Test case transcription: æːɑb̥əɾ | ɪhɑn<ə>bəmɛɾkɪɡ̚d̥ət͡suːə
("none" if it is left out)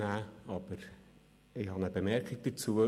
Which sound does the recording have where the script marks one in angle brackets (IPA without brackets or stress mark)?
ə